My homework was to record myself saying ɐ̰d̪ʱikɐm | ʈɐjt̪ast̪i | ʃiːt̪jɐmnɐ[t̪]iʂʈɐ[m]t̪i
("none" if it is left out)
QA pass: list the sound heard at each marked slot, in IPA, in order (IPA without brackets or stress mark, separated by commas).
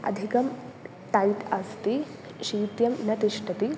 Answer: t̪, none